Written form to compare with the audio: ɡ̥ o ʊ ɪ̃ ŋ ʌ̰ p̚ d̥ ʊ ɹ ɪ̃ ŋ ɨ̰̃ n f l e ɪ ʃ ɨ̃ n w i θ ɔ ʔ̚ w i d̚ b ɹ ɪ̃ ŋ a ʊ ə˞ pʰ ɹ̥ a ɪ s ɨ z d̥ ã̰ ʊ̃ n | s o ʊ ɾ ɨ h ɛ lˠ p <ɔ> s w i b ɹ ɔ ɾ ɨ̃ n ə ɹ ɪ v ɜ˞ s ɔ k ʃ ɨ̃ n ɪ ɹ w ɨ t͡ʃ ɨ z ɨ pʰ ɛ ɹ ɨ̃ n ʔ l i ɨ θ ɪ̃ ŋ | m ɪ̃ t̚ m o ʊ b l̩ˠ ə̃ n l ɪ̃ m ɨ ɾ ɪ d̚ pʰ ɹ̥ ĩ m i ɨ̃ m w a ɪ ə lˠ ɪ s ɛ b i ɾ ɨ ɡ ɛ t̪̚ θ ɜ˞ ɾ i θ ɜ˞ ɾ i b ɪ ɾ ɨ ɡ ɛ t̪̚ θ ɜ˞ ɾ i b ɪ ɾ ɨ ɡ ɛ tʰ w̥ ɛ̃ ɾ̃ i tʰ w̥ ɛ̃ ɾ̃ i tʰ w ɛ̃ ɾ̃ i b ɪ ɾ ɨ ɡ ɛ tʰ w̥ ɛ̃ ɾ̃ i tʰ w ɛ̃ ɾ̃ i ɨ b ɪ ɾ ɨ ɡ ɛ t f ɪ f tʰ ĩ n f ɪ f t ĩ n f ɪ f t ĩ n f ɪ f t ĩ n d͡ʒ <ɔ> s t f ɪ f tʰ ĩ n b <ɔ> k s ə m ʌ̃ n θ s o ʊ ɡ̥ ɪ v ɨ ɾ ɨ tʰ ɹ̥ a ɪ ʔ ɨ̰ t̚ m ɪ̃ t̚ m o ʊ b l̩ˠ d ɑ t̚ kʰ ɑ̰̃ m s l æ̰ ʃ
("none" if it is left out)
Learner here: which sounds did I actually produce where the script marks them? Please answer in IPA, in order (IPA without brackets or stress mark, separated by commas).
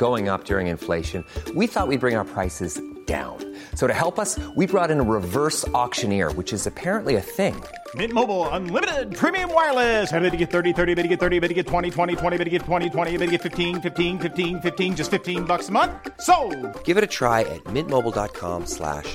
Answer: ʌ, ʌ, ʌ